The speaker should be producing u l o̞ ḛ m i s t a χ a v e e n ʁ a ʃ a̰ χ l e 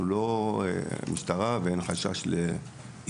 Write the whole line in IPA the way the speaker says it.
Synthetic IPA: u l o̞ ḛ m i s t a ʁ a v e e n χ a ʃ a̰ ʃ l e